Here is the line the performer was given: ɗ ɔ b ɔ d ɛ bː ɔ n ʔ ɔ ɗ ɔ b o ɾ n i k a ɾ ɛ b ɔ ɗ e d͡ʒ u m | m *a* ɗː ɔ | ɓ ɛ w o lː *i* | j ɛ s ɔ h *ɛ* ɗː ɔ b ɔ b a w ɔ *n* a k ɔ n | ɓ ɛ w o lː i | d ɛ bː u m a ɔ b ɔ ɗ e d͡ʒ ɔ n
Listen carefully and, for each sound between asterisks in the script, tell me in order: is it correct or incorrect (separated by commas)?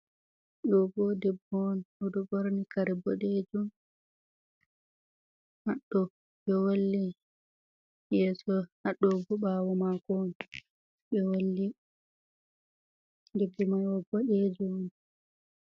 correct, correct, incorrect, incorrect